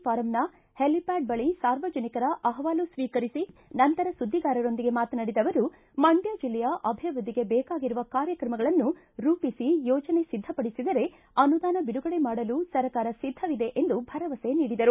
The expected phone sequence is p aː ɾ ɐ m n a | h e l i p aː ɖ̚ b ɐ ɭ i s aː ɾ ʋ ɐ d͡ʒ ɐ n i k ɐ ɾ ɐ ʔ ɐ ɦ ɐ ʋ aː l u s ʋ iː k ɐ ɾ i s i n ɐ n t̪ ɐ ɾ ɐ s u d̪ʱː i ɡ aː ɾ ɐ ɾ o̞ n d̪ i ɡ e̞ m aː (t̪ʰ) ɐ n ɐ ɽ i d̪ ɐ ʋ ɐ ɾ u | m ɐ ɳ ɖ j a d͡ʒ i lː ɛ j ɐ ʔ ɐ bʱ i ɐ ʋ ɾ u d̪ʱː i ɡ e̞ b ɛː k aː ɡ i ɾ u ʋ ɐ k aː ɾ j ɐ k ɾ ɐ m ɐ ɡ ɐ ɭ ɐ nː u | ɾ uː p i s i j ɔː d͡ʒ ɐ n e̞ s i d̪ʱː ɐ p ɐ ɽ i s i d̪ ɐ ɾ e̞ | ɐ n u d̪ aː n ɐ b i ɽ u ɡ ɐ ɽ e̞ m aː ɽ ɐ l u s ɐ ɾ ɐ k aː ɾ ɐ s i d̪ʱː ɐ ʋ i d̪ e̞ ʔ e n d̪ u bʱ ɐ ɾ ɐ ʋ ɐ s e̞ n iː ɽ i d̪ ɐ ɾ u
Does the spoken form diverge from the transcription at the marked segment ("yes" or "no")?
yes